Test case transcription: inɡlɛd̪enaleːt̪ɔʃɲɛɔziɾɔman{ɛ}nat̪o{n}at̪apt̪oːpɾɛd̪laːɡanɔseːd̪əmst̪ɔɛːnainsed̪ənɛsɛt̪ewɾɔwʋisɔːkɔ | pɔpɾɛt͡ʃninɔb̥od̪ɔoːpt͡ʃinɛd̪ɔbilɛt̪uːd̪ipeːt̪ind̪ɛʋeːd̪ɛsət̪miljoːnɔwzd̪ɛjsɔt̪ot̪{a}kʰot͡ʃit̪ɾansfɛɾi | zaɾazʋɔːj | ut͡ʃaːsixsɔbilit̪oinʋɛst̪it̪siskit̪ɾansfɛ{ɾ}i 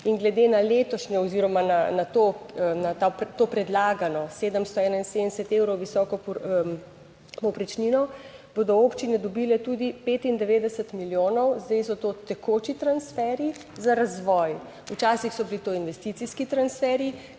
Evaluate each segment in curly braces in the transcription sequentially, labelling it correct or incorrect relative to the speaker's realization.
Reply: incorrect: a, correct, incorrect: ɛ, correct

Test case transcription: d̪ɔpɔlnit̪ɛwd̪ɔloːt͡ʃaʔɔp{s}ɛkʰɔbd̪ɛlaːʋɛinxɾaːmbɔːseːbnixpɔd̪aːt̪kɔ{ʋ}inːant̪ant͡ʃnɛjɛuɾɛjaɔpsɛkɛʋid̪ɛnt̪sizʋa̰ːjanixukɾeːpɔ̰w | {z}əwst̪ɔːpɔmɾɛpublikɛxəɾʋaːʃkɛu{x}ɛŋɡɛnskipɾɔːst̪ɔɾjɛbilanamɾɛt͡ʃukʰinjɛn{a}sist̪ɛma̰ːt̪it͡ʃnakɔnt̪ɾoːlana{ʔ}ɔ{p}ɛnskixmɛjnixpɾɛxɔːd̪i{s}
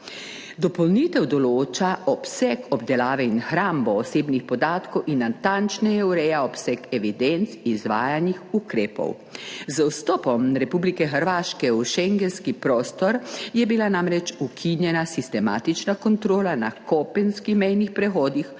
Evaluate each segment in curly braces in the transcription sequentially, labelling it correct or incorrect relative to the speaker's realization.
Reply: correct, incorrect: w, correct, incorrect: ʃ, correct, incorrect: k, correct, incorrect: x

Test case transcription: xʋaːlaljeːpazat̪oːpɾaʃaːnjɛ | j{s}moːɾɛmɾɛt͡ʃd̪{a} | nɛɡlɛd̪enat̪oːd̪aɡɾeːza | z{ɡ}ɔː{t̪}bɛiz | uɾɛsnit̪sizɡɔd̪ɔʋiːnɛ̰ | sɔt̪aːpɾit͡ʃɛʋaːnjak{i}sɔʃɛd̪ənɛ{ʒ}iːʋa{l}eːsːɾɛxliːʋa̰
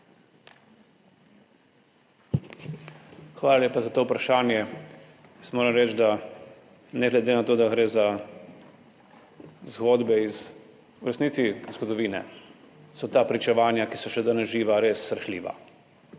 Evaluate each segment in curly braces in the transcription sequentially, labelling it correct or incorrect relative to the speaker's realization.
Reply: correct, correct, correct, incorrect: d̪, correct, correct, incorrect: ɾ

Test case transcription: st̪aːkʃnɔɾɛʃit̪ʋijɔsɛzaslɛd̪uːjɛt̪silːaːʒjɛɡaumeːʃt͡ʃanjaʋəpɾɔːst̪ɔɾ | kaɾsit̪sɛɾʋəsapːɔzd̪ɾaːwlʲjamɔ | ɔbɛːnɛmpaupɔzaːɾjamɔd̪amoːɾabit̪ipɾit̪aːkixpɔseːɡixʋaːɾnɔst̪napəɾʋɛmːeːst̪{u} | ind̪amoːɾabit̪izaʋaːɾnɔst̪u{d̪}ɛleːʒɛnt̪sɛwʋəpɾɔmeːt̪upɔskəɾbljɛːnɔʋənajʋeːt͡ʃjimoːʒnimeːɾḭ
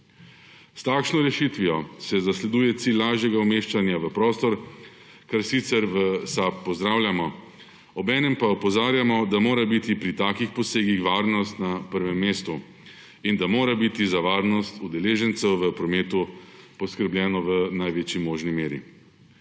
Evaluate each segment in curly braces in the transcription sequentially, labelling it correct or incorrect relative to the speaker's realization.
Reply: correct, correct

